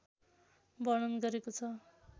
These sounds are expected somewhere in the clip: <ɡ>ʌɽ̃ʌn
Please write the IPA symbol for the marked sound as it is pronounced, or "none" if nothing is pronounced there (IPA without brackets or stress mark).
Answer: b